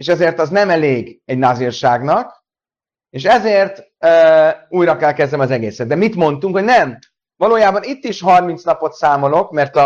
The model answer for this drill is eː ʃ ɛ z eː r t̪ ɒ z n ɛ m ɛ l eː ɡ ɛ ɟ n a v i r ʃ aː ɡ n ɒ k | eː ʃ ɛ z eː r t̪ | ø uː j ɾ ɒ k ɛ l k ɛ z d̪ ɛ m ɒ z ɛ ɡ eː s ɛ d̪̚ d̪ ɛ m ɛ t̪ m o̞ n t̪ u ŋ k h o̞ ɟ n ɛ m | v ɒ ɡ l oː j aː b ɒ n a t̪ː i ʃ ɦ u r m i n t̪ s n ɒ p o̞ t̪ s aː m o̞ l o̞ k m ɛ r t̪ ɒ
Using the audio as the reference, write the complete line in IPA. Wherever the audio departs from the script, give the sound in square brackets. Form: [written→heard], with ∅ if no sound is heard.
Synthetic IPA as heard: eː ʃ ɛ z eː r t̪ ɒ z n ɛ m ɛ l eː ɡ ɛ ɟ n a [v→z] i r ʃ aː ɡ n ɒ k | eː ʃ ɛ z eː r t̪ | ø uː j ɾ ɒ k ɛ l k ɛ z d̪ ɛ m ɒ z ɛ ɡ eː s ɛ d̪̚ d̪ ɛ m [ɛ→i] t̪ m o̞ n t̪ u ŋ k h o̞ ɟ n ɛ m | v ɒ [ɡ→∅] l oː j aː b ɒ n [a→i] t̪ː i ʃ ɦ [u→ɒ] r m i n t̪ s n ɒ p o̞ t̪ s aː m o̞ l o̞ k m ɛ r t̪ ɒ